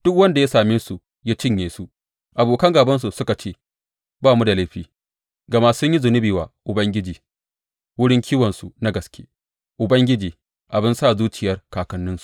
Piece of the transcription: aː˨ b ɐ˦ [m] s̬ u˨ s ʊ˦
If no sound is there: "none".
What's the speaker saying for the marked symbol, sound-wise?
n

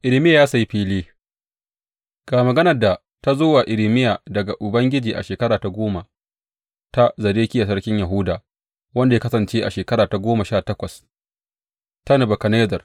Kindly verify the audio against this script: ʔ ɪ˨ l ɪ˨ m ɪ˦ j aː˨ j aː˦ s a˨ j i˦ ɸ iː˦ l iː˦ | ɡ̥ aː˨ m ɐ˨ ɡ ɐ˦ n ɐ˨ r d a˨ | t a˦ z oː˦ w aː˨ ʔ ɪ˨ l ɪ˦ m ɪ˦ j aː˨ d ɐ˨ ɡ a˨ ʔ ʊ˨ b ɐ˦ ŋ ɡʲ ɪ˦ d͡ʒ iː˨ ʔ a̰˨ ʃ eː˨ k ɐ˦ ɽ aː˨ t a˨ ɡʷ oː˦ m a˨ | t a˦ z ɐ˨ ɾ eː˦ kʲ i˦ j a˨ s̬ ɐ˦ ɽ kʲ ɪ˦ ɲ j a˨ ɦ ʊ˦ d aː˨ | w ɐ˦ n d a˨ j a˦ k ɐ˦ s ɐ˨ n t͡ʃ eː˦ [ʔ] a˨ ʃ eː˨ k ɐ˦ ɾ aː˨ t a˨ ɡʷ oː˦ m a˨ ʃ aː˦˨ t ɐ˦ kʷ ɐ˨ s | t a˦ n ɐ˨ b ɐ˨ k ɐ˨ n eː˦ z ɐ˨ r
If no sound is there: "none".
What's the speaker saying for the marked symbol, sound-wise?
ʔ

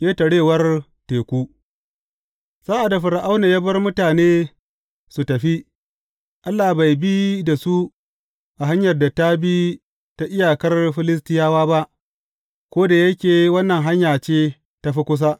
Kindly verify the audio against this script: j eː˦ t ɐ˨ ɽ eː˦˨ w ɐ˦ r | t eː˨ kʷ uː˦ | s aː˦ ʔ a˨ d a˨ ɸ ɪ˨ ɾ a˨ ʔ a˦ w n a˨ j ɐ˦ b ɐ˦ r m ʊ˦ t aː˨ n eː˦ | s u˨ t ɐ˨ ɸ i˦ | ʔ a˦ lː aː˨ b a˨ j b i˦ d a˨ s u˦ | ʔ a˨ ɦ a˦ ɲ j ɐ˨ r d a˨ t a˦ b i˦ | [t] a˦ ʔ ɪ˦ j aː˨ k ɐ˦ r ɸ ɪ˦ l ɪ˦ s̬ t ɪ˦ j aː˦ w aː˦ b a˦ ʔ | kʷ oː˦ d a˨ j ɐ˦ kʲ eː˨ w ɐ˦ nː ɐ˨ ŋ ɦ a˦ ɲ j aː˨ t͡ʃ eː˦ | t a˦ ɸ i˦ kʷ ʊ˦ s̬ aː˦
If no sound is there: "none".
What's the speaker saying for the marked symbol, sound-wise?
t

